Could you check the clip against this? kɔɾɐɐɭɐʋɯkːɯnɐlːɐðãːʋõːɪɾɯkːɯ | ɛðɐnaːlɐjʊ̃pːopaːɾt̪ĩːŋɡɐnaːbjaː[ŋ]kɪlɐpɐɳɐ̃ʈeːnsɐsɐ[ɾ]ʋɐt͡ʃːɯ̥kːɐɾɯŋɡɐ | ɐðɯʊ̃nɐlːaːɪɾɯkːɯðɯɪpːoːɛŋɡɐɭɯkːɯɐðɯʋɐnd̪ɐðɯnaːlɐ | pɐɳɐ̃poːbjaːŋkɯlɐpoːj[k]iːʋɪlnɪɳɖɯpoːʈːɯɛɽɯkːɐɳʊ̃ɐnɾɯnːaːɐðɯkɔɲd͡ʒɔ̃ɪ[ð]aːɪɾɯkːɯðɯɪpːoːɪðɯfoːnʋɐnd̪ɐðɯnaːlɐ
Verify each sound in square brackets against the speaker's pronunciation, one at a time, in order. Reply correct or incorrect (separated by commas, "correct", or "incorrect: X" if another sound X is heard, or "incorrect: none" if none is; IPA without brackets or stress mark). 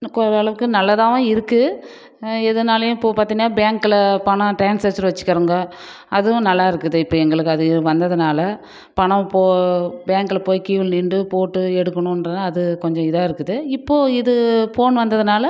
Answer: correct, correct, correct, correct